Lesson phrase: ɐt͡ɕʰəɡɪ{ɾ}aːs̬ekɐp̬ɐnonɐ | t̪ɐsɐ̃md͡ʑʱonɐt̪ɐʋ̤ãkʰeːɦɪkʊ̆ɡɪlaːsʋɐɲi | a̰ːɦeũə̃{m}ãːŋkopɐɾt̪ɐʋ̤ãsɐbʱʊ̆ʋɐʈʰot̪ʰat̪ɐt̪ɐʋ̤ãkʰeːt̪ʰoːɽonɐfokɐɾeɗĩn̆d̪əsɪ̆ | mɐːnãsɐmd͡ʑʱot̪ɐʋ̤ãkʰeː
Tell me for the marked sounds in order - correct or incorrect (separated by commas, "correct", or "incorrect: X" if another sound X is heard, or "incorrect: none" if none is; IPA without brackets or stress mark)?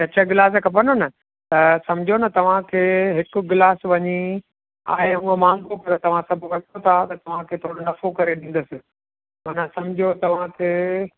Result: incorrect: l, correct